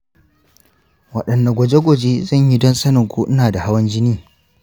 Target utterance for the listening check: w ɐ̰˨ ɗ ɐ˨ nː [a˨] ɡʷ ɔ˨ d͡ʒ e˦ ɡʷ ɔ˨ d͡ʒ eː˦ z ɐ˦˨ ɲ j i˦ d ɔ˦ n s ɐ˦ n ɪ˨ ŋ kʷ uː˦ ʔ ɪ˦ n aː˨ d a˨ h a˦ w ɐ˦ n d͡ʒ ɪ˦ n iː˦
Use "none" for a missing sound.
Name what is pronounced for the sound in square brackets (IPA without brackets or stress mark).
a˨